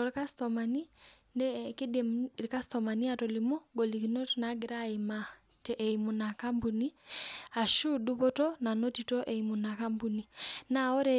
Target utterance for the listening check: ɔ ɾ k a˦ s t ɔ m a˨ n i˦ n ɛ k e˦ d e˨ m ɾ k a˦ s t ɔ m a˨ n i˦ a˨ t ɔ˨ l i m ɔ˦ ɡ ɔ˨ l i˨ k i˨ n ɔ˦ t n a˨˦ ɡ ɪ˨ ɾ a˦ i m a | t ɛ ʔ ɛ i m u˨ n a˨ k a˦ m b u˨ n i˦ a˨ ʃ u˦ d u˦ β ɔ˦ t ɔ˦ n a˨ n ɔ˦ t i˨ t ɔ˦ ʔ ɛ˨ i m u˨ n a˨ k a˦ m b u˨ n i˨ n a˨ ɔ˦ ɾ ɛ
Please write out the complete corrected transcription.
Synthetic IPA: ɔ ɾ k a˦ s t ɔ m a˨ n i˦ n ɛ k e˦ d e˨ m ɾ k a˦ s t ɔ m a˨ n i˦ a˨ t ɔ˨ l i m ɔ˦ ɡ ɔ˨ l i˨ k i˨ n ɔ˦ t n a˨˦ ɡ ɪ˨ ɾ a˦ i m a | t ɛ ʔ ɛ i m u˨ n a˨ k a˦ m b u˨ n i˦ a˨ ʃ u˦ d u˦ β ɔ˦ t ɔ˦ n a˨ n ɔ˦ t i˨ t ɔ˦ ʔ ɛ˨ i m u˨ n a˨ k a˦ m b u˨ n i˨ n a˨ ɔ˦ ɾ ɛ